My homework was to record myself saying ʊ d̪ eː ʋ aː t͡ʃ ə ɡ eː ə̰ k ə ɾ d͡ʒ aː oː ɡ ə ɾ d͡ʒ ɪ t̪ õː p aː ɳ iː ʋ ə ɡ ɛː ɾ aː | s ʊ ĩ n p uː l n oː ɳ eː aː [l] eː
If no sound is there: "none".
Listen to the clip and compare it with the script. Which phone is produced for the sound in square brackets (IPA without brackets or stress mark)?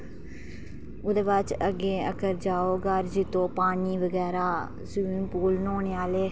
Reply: l